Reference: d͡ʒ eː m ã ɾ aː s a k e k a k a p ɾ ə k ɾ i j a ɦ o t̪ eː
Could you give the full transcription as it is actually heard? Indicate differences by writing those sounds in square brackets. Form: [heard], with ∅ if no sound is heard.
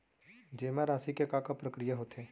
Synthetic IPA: d͡ʒ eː m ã ɾ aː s [i] k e k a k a p ɾ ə k ɾ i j a ɦ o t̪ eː